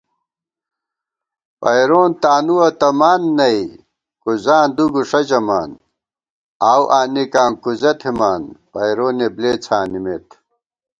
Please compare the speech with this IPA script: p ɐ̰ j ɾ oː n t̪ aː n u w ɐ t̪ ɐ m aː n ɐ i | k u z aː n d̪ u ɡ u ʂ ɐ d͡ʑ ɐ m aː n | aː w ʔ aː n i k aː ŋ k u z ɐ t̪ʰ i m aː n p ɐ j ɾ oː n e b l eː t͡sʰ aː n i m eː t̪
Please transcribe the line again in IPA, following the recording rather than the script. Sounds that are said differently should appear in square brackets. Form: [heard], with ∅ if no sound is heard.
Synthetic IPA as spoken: p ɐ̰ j ɾ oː n t̪ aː n u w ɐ t̪ ɐ m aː [nː] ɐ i | k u z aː n d̪ u ɡ u ʂ ɐ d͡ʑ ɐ m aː n | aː w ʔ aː n i k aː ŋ k u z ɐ t̪ʰ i m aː n p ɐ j ɾ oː n e b l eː t͡sʰ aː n i m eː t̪